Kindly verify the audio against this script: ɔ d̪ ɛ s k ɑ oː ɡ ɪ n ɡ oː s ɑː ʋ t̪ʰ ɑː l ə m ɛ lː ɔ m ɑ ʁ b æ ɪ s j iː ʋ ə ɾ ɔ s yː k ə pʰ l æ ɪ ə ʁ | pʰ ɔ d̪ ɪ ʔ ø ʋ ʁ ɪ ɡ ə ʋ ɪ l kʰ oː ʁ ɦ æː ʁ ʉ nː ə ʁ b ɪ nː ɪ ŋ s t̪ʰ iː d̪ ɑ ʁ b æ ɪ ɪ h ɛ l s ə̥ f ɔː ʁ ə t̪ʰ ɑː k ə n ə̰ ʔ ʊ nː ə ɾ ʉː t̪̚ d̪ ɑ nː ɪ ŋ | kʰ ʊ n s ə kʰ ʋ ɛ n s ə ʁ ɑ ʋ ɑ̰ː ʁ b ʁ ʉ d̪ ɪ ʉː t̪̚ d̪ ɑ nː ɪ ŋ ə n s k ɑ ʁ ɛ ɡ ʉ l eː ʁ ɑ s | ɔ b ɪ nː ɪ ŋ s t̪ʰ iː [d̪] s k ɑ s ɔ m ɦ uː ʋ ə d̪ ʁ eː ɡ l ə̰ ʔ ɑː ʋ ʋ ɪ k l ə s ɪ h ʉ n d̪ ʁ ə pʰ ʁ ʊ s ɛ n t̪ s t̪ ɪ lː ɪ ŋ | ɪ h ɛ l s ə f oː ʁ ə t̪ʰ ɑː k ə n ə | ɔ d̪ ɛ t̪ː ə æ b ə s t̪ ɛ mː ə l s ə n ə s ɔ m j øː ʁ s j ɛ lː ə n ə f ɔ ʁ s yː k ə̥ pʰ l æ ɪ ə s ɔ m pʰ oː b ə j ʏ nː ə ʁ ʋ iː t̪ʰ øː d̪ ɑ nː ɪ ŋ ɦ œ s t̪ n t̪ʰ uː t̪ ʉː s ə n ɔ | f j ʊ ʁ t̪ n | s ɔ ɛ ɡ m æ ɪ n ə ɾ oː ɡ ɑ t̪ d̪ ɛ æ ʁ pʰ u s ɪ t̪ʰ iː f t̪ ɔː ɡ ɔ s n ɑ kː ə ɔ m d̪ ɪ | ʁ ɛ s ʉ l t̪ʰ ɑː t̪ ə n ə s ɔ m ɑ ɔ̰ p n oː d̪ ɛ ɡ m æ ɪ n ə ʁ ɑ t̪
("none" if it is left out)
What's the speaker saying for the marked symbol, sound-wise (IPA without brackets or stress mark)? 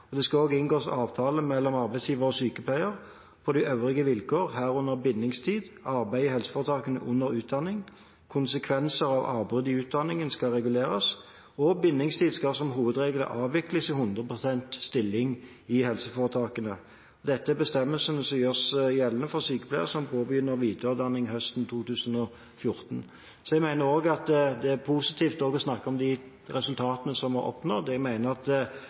d̪